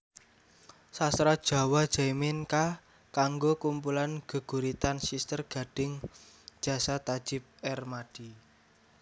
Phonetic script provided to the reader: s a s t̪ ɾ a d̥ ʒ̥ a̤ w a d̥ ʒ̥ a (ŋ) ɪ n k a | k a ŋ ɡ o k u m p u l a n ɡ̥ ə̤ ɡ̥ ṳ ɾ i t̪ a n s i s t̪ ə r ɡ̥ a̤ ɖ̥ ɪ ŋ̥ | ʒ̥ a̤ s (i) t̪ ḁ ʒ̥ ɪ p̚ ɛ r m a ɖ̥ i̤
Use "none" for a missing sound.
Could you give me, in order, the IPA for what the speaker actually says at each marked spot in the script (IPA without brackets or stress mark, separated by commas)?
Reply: m, a